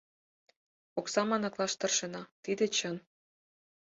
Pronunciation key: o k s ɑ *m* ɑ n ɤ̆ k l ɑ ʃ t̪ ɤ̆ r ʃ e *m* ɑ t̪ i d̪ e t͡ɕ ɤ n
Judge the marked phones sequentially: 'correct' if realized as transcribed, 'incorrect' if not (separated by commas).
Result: correct, incorrect